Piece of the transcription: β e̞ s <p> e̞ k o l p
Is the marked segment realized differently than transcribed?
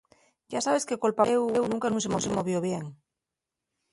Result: yes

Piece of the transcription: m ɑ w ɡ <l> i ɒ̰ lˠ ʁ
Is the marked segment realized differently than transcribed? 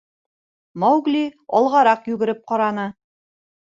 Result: no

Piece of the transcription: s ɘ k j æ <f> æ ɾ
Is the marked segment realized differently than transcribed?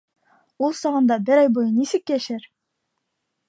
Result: yes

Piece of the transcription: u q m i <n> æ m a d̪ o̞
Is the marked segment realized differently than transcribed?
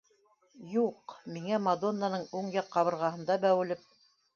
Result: yes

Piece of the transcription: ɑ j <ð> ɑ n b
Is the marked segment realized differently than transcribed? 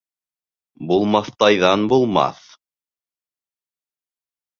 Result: no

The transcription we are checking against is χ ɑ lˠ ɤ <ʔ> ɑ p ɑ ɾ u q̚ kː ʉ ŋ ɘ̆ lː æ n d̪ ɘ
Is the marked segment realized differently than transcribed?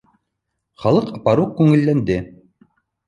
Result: yes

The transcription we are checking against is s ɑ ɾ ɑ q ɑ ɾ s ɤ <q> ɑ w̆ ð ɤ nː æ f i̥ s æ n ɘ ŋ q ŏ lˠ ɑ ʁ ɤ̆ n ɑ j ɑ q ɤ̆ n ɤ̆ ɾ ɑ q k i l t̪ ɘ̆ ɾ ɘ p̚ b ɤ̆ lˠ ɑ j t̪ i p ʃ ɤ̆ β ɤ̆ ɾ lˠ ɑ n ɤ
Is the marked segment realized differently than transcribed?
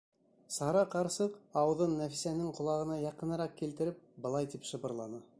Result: no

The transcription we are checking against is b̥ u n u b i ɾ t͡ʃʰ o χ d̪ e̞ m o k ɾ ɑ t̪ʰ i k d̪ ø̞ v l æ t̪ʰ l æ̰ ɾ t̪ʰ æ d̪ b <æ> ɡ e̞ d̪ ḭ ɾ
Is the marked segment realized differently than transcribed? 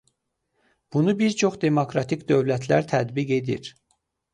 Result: yes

